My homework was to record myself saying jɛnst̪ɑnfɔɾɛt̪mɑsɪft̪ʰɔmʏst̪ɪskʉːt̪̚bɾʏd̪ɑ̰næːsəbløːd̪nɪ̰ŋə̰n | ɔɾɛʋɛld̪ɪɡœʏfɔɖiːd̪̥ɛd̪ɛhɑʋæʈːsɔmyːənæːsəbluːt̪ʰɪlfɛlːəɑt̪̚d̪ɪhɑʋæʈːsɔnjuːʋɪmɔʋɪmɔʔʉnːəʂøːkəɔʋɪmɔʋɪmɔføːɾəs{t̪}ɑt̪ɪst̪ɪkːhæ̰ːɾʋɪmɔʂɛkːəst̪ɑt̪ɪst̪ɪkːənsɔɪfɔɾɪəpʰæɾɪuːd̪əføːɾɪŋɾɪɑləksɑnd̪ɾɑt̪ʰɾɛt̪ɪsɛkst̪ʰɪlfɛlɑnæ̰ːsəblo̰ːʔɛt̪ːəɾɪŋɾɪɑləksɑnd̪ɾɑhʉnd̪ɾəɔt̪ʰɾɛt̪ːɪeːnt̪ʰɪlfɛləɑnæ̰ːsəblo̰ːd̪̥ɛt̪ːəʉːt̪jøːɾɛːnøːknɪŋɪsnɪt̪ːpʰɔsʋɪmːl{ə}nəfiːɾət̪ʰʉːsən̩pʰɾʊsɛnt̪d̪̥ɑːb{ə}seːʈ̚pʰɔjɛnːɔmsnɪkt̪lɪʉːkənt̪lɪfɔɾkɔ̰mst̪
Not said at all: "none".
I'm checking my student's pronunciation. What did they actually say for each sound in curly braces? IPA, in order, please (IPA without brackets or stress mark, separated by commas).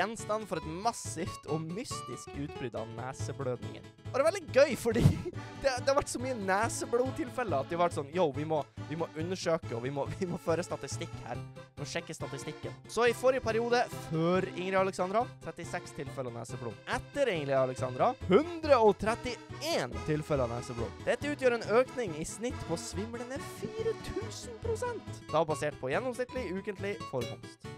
t̪, ə, ɑ